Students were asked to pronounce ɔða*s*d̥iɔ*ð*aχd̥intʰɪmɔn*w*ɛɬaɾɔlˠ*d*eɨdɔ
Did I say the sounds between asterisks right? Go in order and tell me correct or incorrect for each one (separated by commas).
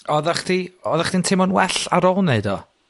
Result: incorrect, correct, correct, incorrect